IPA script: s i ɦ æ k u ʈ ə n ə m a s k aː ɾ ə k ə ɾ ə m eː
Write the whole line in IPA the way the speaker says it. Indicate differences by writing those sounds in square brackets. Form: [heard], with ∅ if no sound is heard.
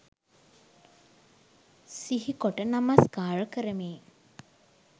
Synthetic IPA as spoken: s i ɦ [i] k [o] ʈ ə n [a] m a s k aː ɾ ə k ə ɾ ə m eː